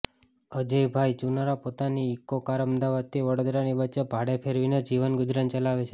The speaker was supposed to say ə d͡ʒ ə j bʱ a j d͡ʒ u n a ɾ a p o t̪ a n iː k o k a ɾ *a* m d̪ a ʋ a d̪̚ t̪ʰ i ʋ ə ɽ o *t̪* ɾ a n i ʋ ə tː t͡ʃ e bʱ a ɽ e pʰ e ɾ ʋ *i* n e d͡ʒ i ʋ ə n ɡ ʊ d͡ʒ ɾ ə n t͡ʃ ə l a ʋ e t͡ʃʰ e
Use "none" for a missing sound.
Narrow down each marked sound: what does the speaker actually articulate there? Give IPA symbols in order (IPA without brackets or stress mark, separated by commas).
ə, d̪, i